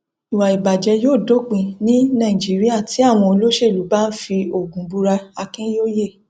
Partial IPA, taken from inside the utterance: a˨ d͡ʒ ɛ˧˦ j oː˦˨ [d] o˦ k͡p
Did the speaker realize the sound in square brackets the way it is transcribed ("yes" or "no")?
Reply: yes